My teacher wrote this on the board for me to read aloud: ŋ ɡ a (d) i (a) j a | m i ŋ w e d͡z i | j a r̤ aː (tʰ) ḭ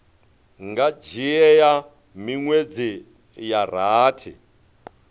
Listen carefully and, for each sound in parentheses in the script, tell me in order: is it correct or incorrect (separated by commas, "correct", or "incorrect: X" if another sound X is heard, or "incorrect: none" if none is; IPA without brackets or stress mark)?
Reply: incorrect: d͡ʒ, incorrect: ɛ, correct